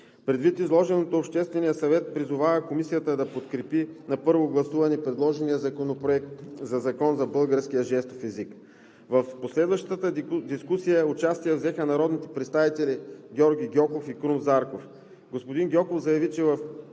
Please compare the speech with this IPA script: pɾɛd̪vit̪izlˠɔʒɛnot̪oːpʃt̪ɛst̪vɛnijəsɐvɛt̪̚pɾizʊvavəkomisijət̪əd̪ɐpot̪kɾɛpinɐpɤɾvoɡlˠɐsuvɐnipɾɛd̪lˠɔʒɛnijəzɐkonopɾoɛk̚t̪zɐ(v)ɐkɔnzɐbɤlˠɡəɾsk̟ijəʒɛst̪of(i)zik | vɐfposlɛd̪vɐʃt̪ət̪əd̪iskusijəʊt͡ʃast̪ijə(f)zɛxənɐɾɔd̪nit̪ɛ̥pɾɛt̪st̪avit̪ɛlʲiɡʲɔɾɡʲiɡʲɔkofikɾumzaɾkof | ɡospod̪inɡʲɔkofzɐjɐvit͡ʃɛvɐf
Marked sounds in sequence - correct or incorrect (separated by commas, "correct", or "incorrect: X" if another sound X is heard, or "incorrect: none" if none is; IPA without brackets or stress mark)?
incorrect: z, incorrect: ɛ, incorrect: v